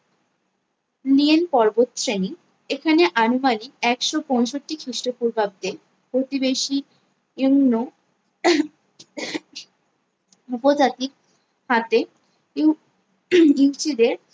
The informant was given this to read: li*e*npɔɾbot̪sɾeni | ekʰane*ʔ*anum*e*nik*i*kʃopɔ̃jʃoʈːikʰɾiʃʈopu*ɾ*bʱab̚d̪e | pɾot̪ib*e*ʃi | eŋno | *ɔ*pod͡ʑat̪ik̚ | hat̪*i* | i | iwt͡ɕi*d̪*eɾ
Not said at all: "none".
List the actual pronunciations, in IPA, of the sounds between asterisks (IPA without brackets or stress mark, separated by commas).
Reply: e, ʔ, a, ɛ, ɾ, e, u, e, d̪